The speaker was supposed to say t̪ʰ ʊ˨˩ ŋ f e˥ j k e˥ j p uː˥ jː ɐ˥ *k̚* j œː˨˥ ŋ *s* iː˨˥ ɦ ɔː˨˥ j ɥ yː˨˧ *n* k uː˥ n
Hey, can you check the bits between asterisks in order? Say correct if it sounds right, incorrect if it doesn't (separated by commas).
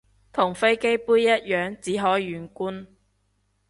incorrect, incorrect, correct